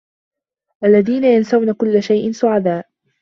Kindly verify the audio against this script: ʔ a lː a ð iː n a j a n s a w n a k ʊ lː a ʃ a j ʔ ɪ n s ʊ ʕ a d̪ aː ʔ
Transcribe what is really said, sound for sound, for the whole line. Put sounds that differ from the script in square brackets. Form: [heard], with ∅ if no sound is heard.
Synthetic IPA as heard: ʔ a lː a ð iː n a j a n s a w n a k ʊ lː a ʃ a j ʔ ɪ n s ʊ ʕ a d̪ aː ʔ